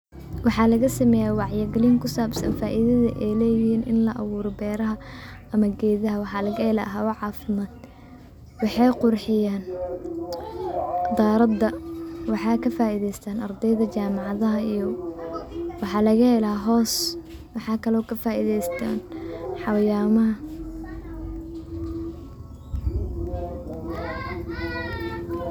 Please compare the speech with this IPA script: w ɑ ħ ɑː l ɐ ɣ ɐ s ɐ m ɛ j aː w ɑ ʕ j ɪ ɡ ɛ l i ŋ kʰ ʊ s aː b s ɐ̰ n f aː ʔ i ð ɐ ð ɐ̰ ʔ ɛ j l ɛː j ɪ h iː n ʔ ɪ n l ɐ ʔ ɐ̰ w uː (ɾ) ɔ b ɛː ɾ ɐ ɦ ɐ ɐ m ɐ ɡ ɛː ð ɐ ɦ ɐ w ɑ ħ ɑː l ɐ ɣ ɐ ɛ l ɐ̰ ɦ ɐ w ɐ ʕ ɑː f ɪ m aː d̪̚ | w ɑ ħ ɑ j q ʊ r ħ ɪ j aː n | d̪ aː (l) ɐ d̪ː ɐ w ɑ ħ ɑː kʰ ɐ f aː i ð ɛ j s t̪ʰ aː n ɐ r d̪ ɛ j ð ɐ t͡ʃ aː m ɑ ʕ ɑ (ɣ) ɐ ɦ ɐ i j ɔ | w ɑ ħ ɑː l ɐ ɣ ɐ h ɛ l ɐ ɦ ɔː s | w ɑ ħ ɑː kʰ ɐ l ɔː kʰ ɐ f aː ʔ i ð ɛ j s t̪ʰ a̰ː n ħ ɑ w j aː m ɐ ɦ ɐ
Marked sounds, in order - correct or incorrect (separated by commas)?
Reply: correct, incorrect, incorrect